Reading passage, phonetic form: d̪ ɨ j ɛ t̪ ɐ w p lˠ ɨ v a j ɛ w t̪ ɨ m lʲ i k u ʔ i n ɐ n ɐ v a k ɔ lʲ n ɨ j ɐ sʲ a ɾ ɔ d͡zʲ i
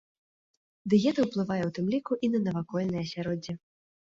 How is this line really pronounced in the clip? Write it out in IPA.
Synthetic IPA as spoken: d̪ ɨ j ɛ t̪ ɐ w p lˠ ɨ v a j ɛ w t̪ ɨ m lʲ i k u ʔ i n ɐ n ɐ v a k ɔ lʲ n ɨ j ɐ sʲ a ɾ ɔ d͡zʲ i